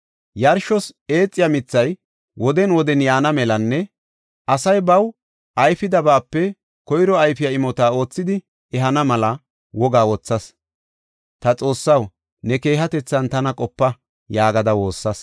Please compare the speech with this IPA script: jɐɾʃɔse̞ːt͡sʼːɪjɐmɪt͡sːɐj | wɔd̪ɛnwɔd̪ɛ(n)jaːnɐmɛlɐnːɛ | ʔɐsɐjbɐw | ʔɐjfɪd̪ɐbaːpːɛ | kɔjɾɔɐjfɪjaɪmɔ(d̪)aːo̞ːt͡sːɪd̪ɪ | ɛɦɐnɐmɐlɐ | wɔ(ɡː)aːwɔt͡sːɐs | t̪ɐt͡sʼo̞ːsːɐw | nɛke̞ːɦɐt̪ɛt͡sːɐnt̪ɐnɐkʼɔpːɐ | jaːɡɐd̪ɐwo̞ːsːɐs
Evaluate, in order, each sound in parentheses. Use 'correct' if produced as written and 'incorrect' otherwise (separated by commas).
correct, incorrect, incorrect